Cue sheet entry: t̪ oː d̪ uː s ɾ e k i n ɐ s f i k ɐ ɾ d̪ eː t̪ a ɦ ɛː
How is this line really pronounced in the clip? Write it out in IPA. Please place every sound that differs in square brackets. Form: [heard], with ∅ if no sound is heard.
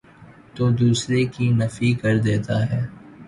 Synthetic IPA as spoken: t̪ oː d̪ uː s ɾ e k i n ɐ [∅] f i k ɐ ɾ d̪ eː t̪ a ɦ ɛː